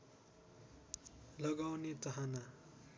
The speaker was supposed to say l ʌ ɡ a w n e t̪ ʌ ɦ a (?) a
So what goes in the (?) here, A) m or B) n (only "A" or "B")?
B